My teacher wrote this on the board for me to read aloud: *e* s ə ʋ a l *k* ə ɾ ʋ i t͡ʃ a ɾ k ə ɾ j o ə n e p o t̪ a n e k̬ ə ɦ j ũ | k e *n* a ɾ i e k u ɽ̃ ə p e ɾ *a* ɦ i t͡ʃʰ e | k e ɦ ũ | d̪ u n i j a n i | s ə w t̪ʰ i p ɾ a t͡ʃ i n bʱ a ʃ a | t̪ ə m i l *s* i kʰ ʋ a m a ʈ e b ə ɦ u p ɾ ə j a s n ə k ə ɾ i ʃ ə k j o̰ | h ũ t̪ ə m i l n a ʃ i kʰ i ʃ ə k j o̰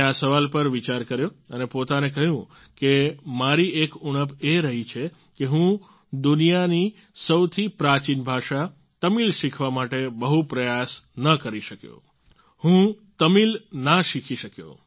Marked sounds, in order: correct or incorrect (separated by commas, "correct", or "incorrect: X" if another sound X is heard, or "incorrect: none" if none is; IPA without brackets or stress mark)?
incorrect: a, incorrect: p, incorrect: m, incorrect: ə, incorrect: ʃ